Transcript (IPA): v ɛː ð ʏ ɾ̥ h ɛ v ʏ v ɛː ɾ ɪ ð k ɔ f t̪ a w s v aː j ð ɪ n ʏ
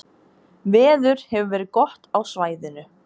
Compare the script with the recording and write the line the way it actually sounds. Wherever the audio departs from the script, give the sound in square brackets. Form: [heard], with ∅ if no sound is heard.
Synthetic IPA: v ɛː ð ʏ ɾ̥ h ɛ v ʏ v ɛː ɾ ɪ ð k ɔ [h] t̪ a w s v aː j ð ɪ n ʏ